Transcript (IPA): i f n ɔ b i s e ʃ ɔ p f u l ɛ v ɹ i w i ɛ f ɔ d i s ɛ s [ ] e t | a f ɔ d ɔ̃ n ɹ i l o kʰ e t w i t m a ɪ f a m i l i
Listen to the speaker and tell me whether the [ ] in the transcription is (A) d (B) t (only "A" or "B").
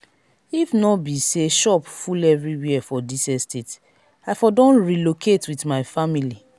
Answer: B